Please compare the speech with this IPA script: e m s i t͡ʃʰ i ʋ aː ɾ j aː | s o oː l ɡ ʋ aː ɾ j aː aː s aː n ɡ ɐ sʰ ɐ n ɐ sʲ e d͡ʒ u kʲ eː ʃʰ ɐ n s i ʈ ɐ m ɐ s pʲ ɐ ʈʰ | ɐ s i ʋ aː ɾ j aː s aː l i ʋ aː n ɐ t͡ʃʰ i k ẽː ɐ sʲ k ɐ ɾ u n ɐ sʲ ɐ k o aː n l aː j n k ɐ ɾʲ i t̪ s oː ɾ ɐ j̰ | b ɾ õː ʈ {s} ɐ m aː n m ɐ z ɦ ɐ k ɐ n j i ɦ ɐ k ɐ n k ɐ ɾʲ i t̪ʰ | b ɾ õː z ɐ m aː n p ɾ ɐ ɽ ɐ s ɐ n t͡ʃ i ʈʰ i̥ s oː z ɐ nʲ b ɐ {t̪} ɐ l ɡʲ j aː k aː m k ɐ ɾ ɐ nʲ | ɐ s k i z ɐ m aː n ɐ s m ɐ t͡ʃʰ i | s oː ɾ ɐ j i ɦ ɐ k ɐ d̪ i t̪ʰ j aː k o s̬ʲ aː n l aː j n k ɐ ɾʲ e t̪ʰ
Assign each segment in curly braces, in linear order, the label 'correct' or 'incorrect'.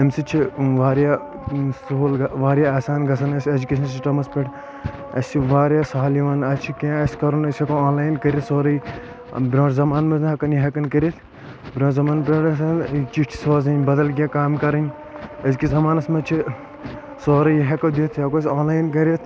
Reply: incorrect: z, incorrect: d̪

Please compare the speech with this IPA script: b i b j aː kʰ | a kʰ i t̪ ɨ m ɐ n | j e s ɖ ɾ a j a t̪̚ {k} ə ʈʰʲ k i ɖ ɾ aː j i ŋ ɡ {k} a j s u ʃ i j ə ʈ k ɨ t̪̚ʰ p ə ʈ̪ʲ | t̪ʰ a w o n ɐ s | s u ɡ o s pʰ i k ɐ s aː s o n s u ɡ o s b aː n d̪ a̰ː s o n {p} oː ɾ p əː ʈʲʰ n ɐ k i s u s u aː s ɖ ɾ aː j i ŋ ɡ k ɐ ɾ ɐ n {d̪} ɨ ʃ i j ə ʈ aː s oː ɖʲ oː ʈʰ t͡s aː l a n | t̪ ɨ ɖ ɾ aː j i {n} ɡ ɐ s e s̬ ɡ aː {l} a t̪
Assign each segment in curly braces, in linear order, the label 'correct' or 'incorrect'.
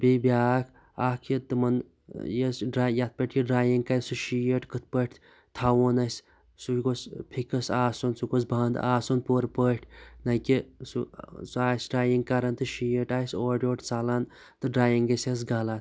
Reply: incorrect: p, correct, correct, incorrect: t̪, incorrect: ŋ, correct

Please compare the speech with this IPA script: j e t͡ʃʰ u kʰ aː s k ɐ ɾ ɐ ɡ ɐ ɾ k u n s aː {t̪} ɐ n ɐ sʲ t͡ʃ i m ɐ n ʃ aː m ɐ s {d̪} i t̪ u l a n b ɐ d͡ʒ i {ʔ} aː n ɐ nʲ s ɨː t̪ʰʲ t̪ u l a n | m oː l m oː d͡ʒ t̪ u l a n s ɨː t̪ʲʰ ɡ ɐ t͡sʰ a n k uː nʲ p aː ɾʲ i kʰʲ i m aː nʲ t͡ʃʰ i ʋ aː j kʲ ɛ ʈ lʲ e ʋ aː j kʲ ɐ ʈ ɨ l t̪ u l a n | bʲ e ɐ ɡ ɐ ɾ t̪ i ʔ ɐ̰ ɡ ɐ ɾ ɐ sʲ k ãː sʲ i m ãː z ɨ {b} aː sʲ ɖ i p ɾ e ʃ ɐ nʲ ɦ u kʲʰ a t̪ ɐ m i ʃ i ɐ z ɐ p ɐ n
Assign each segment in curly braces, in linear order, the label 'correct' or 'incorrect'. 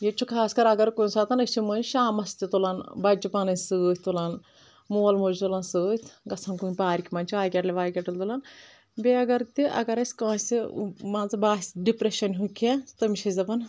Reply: correct, incorrect: t̪, incorrect: p, correct

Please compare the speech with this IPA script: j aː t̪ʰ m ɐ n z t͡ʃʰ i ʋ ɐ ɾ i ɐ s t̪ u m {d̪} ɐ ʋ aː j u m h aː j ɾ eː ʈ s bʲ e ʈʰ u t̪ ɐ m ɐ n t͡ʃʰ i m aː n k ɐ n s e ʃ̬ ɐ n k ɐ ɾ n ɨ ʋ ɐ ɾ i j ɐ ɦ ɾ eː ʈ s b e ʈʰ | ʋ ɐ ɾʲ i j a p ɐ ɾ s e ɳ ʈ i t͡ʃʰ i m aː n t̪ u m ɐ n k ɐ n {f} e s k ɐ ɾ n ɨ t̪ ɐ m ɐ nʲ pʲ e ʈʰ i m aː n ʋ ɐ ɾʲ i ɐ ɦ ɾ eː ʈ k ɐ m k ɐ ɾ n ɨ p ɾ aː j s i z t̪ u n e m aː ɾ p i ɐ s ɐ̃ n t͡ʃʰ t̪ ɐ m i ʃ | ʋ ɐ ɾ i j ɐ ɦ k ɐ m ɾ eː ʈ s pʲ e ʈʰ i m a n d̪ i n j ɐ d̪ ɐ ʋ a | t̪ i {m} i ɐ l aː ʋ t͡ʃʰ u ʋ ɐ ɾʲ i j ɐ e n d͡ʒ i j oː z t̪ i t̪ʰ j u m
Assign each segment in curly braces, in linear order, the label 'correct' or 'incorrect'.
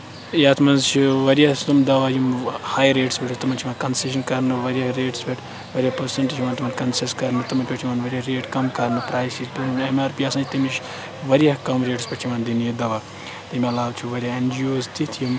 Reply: correct, incorrect: s, correct

